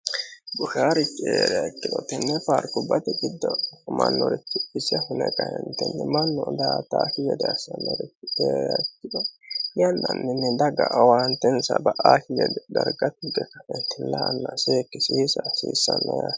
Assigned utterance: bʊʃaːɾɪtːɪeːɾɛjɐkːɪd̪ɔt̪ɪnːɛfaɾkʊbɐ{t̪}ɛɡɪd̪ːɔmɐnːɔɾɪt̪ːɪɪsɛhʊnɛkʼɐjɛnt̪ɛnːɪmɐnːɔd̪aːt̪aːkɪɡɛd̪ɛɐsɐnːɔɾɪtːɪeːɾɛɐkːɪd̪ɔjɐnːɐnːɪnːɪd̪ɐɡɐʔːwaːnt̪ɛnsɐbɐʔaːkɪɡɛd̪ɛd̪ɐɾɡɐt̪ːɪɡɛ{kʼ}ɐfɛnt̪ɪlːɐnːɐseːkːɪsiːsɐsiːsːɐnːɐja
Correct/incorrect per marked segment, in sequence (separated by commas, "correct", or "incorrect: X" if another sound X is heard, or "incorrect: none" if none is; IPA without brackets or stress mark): correct, incorrect: k